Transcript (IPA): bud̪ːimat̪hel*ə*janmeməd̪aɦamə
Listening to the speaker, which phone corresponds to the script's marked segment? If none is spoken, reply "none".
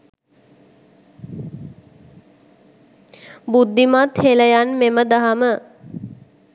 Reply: ə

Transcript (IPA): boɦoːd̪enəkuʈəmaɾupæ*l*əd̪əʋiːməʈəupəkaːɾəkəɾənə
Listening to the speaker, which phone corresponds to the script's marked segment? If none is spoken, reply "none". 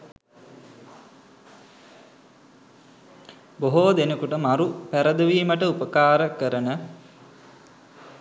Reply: ɾ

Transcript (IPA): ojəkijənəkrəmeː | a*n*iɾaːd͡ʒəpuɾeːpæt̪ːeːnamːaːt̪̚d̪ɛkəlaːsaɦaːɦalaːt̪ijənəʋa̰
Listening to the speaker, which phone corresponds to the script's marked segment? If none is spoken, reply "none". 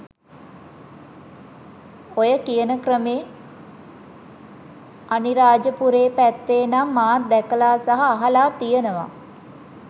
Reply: n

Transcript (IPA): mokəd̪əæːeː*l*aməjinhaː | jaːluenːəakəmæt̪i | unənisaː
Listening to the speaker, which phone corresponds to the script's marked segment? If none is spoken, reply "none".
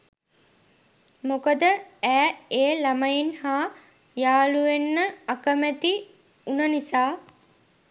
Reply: l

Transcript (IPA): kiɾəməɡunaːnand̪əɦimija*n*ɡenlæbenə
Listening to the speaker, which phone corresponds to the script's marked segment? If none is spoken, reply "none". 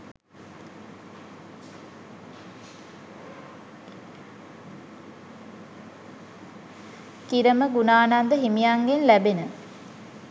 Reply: ŋ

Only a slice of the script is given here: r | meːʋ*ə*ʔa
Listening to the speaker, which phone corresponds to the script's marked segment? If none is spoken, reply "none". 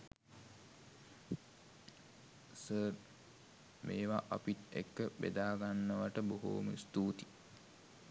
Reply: a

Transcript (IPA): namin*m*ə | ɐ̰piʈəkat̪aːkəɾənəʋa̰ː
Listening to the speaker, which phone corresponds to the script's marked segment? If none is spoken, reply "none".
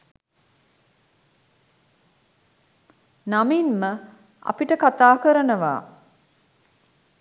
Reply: m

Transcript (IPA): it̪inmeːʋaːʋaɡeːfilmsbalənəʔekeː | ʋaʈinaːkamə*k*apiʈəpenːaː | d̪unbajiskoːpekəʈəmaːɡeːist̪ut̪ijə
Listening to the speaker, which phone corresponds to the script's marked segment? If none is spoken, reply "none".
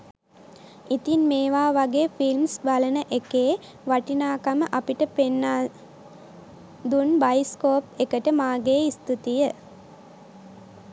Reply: ʔ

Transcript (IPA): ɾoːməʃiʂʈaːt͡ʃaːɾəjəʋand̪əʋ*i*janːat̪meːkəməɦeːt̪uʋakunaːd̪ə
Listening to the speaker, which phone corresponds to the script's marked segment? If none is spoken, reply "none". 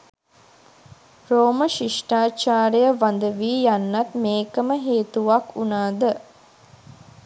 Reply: iː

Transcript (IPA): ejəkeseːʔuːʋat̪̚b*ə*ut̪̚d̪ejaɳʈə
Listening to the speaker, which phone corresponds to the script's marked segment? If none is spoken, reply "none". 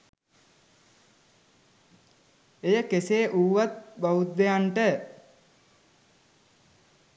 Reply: a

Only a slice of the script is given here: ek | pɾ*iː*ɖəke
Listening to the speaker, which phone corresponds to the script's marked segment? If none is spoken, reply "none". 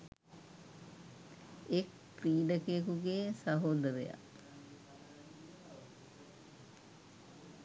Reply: iː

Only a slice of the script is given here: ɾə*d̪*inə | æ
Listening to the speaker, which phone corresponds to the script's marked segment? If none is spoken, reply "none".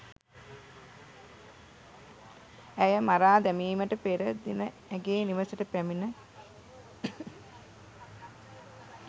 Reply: d̪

